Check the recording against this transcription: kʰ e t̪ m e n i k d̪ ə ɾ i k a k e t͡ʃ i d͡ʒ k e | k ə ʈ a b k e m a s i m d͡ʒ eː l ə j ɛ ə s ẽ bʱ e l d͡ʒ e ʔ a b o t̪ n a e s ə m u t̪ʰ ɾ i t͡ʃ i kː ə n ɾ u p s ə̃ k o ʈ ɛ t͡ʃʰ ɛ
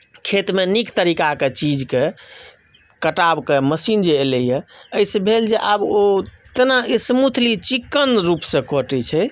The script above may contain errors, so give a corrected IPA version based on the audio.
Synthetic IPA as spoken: kʰ e t̪ m e n i k t̪ ə ɾ i k a k e t͡ʃ i d͡ʒ k e | k ə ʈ a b k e m ə s i n d͡ʒ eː l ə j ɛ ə s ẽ bʱ e l d͡ʒ e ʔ a b o t̪ n a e s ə m u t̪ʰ l i t͡ʃ i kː ə n ɾ u p s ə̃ k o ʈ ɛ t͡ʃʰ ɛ